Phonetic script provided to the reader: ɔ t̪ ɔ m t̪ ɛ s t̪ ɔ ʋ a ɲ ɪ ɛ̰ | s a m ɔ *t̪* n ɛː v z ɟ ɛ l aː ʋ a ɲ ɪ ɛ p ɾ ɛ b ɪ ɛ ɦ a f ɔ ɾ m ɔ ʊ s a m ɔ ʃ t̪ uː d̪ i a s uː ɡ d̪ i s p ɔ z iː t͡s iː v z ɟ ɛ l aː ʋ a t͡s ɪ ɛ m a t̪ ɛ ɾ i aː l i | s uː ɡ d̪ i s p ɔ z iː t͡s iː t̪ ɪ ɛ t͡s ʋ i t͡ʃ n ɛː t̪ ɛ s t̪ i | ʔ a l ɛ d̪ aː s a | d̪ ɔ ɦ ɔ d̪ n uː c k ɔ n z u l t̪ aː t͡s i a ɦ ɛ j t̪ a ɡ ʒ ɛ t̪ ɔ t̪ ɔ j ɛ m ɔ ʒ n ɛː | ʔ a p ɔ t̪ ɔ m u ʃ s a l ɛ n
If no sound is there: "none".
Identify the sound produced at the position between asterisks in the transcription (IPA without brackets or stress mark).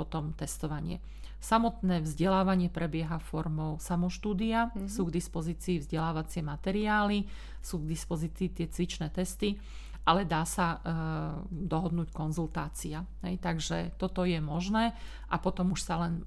t̪